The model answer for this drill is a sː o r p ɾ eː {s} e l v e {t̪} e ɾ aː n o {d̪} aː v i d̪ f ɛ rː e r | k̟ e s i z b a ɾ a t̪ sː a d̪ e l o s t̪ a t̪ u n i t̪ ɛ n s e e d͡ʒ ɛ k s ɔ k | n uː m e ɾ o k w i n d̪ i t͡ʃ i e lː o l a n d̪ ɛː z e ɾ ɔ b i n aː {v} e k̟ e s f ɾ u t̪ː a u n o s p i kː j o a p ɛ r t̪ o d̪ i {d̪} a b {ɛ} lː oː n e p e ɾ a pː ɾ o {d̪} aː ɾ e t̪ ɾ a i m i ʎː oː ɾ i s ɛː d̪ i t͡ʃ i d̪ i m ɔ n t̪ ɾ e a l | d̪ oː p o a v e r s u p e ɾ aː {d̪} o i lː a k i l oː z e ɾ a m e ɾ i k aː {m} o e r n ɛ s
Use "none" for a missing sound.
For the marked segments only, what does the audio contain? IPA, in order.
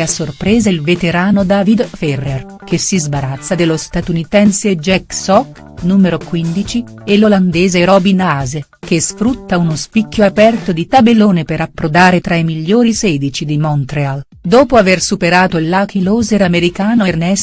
z, t̪, d̪, z, t̪, e, d̪, t̪, n

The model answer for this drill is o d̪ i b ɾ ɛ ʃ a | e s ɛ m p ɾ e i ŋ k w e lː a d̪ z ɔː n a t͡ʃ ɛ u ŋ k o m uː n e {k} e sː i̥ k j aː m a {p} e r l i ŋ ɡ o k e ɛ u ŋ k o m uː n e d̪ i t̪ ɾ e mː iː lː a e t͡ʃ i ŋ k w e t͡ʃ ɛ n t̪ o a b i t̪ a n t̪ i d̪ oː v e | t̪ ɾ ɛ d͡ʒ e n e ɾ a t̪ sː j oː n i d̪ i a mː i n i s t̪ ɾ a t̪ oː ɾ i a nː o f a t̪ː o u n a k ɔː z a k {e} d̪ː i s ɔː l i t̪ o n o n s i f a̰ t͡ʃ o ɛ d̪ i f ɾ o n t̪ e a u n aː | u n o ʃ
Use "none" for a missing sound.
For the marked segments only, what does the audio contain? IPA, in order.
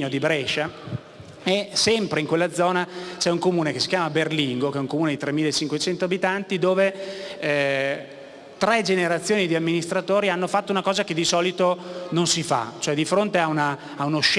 k, b, e

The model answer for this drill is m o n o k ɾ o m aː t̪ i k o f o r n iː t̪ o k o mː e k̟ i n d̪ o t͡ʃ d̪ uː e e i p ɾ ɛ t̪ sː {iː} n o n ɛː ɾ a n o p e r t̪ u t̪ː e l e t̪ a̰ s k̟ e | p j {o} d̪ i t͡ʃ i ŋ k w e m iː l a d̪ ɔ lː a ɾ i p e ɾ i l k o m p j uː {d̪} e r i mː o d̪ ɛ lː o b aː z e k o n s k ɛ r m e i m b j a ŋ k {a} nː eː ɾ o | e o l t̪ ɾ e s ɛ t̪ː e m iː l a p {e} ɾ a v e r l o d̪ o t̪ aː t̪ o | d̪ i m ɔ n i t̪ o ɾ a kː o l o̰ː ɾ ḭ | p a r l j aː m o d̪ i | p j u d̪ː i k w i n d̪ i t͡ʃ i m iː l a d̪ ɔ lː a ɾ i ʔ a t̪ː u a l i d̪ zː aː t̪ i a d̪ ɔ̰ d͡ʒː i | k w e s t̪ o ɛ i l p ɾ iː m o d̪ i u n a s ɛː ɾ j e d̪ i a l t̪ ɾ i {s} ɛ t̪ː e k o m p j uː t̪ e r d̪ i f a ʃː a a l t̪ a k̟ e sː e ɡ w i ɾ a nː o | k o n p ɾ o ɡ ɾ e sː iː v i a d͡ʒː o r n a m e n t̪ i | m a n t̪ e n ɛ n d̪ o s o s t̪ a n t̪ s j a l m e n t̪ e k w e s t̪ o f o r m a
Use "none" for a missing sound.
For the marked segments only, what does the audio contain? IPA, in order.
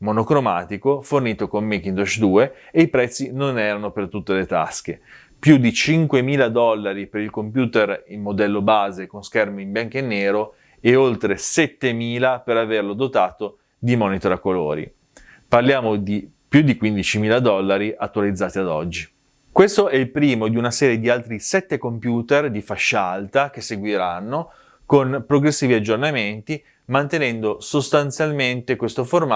i, u, t̪, e, e, s

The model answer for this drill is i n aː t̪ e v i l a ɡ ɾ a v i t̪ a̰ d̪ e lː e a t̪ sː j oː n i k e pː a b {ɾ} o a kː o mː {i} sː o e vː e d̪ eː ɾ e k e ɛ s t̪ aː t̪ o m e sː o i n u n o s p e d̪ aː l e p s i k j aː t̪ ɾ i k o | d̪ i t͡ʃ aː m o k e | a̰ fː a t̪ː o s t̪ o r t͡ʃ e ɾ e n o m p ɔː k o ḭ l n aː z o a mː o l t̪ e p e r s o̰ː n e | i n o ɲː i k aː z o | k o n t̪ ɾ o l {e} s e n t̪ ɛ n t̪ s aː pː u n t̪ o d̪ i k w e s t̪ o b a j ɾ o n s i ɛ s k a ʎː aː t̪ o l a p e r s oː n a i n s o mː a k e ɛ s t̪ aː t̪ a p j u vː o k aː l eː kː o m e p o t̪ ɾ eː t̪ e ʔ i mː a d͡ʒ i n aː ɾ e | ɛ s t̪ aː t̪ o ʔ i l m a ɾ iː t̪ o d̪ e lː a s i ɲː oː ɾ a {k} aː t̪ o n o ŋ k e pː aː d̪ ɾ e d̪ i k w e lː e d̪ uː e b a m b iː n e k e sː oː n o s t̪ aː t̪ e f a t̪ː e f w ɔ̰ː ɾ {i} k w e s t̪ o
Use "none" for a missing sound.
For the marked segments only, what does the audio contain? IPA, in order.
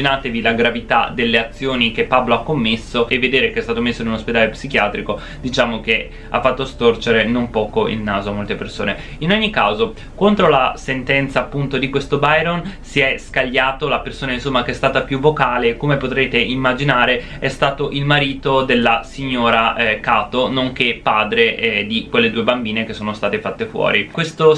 l, e, a, k, i

